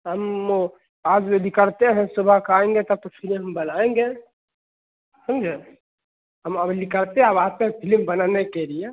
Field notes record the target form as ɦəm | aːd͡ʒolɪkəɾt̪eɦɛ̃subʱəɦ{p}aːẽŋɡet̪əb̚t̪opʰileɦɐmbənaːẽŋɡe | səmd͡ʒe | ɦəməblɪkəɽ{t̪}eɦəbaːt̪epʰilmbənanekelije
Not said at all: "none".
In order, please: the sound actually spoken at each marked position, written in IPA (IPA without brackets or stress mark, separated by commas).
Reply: k, t̪